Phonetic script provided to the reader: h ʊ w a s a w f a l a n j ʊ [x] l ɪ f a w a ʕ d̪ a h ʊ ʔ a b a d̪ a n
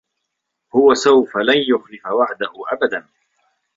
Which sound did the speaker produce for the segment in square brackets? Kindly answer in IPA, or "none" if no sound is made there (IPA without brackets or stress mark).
x